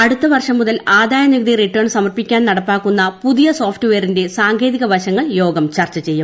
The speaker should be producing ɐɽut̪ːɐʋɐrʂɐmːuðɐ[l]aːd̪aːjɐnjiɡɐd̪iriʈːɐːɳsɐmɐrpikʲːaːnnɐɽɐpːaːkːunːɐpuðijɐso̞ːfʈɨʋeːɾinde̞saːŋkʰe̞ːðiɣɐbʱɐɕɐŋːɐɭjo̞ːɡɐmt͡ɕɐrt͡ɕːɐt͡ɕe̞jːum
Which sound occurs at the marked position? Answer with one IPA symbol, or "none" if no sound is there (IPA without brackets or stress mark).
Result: l